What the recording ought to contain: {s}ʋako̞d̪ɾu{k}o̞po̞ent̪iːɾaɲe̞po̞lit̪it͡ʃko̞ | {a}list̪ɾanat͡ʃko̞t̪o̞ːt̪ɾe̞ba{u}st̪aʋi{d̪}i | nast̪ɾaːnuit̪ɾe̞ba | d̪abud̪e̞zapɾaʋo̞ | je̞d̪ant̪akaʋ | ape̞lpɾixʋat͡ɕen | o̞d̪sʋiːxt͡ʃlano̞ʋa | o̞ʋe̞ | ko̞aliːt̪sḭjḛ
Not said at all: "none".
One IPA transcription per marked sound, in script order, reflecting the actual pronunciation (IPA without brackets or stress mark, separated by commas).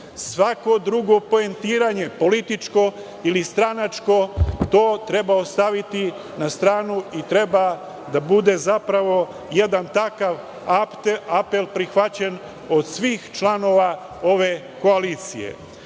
s, ɡ, i, o, t̪